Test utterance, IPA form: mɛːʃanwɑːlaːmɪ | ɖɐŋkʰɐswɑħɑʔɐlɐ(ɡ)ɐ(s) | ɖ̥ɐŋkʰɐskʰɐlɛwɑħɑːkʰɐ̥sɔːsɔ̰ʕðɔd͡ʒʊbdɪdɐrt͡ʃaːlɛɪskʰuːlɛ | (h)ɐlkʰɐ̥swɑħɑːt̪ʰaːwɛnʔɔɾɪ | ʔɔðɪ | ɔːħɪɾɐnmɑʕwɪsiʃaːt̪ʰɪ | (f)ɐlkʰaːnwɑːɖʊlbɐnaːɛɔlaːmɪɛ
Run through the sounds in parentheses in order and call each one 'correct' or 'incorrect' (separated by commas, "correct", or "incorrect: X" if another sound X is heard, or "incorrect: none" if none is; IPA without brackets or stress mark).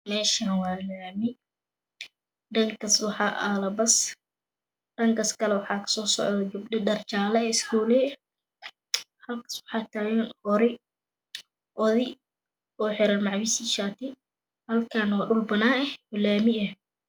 incorrect: b, correct, correct, incorrect: h